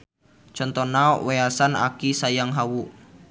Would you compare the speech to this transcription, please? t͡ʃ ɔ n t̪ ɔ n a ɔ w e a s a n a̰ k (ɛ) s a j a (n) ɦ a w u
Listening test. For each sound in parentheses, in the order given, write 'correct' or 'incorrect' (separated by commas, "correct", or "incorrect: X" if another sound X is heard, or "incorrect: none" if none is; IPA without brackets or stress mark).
incorrect: i, incorrect: ŋ